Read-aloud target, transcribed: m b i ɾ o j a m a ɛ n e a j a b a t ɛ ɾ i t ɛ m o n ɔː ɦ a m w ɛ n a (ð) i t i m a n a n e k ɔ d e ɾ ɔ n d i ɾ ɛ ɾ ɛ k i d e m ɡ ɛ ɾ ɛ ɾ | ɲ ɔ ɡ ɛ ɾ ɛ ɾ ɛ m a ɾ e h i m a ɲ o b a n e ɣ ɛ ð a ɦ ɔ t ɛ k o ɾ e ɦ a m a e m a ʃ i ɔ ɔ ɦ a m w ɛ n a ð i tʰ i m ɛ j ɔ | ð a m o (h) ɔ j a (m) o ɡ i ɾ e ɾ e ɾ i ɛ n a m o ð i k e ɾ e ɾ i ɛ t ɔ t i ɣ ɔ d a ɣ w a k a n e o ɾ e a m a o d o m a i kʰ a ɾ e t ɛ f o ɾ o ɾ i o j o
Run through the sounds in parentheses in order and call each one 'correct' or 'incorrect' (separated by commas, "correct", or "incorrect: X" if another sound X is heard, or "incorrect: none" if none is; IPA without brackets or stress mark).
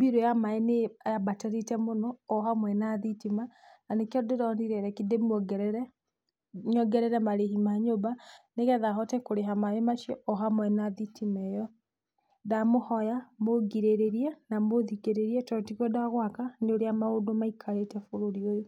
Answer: correct, correct, correct